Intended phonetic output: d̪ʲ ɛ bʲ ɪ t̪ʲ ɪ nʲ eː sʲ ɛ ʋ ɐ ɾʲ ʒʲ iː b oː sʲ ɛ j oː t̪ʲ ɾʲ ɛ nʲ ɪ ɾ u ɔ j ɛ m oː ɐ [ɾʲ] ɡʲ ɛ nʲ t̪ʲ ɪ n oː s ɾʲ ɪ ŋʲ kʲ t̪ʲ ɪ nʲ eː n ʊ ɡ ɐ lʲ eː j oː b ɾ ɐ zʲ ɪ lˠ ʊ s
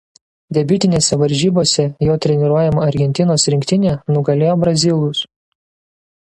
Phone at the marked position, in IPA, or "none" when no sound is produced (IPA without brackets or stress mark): ɾʲ